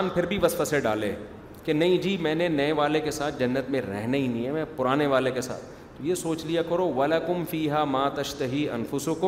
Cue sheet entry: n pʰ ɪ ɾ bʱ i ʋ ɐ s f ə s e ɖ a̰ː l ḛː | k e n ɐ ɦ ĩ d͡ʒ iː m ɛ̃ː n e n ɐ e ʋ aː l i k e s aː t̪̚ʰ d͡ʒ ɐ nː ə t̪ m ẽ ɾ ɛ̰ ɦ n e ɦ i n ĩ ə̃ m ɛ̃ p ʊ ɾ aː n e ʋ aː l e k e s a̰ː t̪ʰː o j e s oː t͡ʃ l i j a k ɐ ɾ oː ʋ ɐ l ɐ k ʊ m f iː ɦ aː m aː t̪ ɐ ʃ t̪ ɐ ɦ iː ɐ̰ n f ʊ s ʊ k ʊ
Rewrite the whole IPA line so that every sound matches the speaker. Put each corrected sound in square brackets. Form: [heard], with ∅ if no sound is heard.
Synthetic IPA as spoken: n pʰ ɪ ɾ bʱ i ʋ ɐ s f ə s e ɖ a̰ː l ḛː | k e n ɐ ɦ ĩ d͡ʒ iː m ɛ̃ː n e n ɐ e ʋ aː l [e] k e s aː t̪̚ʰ d͡ʒ ɐ nː ə t̪ m ẽ ɾ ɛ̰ ɦ n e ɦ i n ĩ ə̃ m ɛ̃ p ʊ ɾ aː n e ʋ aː l e k e s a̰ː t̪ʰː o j e s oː t͡ʃ l i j a k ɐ ɾ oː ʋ ɐ l ɐ k ʊ m f iː ɦ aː m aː t̪ ɐ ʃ t̪ ɐ ɦ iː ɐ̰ n f ʊ s ʊ k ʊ